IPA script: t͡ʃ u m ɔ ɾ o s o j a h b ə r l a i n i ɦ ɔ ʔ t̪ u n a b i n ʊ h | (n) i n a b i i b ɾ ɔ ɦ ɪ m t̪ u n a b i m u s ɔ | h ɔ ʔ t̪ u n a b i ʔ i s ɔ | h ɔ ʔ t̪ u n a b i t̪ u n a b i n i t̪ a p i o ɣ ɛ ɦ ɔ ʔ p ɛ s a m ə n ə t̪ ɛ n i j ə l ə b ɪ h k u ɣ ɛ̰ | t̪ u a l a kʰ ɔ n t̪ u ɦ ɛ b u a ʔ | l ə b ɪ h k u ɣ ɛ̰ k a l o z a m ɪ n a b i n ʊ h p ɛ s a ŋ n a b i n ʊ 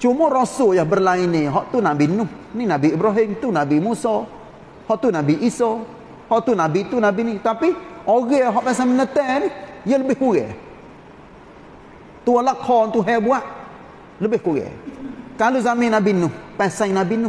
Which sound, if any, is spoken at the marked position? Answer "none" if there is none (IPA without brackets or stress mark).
n